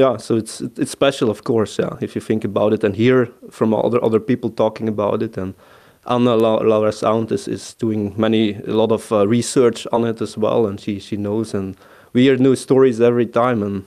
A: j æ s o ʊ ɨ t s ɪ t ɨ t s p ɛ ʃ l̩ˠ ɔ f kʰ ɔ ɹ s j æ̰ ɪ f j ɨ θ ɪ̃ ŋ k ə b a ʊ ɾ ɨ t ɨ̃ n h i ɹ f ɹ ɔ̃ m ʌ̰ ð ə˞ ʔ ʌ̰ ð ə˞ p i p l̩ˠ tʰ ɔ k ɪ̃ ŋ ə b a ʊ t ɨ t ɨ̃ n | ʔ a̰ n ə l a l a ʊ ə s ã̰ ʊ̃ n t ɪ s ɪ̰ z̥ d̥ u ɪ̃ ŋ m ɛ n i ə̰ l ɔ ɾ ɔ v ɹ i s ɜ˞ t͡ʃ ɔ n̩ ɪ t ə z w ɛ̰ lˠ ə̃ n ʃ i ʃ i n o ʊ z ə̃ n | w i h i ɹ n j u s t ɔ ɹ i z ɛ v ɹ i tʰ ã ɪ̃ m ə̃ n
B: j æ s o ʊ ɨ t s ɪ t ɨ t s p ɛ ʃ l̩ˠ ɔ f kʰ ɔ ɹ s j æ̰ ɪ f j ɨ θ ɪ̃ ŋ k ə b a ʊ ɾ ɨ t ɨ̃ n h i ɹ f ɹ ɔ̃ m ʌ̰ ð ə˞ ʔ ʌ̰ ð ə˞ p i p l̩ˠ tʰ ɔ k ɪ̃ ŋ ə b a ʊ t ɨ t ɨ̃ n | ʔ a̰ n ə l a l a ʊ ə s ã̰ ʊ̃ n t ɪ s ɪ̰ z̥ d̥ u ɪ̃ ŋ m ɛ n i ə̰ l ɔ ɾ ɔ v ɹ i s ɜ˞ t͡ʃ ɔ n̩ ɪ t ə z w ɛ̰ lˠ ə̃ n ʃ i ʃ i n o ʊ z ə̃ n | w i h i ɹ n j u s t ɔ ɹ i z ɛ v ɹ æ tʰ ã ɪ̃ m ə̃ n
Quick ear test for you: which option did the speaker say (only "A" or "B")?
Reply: A